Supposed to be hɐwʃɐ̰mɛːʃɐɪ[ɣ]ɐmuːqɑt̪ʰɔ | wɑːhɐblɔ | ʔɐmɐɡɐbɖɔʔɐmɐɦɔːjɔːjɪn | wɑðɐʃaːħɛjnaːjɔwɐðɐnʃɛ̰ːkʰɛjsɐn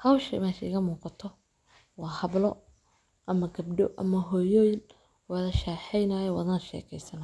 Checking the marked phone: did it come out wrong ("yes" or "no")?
no